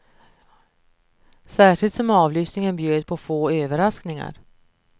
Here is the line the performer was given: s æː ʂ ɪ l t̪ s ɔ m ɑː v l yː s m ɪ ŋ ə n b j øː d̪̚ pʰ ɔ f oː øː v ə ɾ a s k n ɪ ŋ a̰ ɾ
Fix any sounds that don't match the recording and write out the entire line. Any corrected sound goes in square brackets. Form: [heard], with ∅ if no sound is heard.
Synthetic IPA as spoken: s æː ʂ ɪ l t̪ s ɔ m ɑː v l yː s [n] ɪ ŋ ə n b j øː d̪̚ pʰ ɔ f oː øː v ə ɾ a s k n ɪ ŋ a̰ ɾ